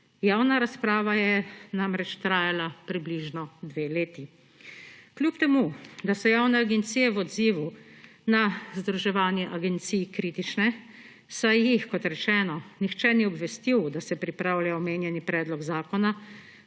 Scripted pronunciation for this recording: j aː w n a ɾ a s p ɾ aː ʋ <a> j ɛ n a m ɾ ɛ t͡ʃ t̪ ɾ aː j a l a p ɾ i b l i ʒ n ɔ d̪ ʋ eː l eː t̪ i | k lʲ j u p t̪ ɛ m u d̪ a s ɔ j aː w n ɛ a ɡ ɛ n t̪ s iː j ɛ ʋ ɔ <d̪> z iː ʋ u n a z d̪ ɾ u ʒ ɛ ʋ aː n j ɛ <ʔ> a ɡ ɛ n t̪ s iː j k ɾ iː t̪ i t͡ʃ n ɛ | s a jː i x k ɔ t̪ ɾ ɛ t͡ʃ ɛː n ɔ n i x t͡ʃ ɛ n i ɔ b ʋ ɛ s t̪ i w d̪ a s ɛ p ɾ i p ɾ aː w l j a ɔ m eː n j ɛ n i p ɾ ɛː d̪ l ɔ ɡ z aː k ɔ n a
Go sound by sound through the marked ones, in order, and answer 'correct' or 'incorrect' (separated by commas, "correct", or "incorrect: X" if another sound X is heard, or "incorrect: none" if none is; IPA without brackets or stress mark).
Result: correct, correct, correct